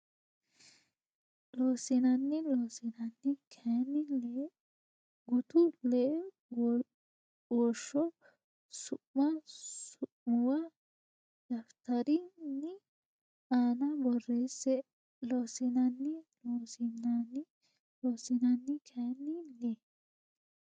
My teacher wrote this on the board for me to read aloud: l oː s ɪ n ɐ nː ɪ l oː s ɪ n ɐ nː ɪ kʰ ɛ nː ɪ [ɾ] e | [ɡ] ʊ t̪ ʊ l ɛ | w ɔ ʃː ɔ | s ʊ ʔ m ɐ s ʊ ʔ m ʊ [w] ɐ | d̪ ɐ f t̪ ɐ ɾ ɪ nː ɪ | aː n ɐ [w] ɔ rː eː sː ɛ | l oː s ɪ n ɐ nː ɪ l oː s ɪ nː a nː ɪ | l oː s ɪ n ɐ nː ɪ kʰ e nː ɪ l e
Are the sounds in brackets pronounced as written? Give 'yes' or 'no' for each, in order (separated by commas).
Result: no, yes, yes, no